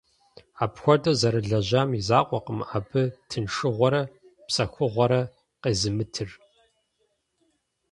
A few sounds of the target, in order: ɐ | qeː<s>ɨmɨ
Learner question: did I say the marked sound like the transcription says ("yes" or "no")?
no